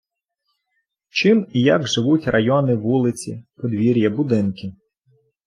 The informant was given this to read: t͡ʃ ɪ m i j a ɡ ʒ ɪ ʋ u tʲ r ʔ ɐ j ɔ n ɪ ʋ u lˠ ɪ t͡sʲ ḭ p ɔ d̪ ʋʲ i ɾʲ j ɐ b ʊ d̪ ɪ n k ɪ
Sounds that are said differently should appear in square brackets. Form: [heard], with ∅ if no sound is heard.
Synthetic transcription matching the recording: t͡ʃ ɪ m i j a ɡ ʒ ɪ ʋ u tʲ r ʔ ɐ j ɔ n ɪ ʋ u lˠ ɪ t͡sʲ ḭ p ɔ d̪ ʋʲ i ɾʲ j ɐ b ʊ d̪ ɪ n k ɪ